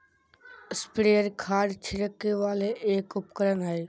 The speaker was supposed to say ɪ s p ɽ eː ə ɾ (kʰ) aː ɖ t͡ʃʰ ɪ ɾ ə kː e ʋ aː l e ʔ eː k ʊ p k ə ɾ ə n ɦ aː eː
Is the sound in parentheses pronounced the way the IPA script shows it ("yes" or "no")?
yes